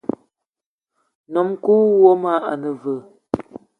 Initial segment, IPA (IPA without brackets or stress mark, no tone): n